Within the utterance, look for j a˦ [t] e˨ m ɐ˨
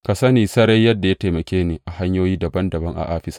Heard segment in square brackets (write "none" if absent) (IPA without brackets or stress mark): t